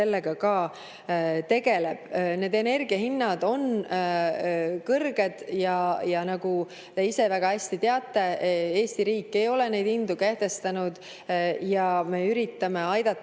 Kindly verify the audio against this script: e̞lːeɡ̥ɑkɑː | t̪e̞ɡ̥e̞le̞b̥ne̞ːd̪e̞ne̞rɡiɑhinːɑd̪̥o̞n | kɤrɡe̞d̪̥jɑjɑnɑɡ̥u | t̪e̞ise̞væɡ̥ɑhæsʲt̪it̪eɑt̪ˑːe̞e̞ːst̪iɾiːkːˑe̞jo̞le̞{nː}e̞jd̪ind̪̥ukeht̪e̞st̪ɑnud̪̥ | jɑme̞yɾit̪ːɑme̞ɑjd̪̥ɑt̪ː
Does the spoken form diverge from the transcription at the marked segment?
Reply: yes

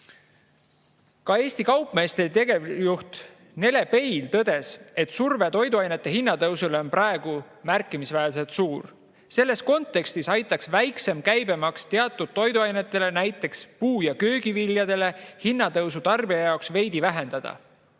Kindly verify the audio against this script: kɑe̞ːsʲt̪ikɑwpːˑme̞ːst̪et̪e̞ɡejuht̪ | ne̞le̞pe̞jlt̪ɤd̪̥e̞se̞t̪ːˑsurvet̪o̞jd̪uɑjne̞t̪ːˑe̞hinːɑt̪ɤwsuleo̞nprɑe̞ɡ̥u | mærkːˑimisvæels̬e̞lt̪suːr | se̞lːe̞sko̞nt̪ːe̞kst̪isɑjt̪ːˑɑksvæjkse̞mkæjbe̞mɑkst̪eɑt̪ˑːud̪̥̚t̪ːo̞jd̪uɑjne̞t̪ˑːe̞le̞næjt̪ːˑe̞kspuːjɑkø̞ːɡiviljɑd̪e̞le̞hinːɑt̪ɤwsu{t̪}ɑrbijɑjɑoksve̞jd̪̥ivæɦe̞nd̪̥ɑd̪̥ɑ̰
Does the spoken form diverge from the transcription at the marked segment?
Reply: no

